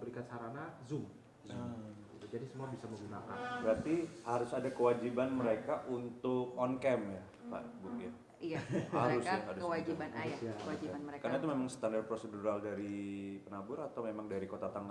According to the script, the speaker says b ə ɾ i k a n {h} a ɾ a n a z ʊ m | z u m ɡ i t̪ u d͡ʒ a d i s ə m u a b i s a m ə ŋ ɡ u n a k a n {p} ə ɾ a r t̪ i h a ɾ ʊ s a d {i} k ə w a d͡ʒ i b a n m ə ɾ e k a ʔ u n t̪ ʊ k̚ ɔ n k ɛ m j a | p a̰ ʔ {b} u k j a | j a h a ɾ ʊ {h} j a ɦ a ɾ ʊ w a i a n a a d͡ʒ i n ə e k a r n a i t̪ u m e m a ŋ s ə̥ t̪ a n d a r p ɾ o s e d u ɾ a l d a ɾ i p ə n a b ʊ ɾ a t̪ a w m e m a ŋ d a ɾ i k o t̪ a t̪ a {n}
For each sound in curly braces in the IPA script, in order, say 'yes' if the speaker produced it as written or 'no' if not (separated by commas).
no, no, no, yes, no, no